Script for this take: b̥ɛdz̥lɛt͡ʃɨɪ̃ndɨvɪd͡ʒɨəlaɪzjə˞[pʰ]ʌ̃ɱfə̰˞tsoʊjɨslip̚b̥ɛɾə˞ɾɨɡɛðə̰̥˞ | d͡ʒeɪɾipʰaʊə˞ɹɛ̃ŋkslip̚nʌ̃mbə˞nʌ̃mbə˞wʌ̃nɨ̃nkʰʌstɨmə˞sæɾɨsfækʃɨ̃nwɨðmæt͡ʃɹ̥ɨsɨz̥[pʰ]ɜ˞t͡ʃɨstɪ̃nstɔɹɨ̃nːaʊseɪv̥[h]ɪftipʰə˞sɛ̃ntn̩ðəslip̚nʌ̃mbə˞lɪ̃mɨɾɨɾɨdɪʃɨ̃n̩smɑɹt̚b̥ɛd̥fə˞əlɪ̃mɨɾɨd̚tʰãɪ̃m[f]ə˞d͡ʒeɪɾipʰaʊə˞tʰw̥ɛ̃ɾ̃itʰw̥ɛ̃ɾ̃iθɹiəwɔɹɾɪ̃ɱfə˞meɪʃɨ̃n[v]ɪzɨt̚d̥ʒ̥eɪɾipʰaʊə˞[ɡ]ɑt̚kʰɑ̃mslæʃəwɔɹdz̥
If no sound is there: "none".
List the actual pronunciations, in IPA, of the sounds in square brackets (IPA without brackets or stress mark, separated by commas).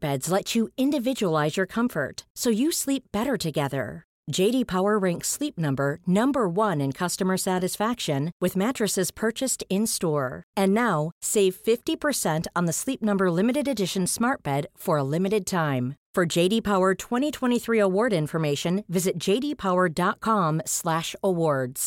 kʰ, pʰ, f, f, v, d